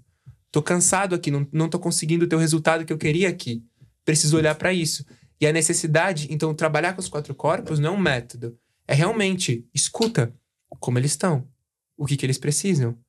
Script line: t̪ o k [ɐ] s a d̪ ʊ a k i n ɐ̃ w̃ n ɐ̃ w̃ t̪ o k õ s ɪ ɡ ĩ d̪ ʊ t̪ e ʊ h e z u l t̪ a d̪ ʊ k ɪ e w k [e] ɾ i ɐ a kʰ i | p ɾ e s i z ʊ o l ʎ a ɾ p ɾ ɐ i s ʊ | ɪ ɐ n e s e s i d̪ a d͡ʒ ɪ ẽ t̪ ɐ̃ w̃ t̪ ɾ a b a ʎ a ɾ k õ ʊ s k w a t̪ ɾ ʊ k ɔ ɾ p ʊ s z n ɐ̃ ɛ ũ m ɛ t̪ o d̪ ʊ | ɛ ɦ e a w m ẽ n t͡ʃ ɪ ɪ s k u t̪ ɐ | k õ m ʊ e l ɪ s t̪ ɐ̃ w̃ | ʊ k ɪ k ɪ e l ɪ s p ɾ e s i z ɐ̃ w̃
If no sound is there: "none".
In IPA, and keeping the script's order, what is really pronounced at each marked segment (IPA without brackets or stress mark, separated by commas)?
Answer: ɐ̃, e